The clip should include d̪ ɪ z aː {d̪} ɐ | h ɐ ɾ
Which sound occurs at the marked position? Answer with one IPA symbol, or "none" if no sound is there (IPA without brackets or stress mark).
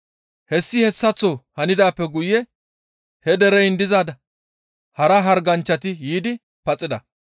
d̪